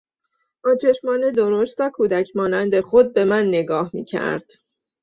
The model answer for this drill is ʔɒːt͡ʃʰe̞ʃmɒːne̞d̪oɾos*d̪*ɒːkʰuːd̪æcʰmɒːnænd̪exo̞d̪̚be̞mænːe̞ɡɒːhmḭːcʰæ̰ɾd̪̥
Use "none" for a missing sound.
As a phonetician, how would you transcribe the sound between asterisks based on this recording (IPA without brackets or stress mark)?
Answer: t̪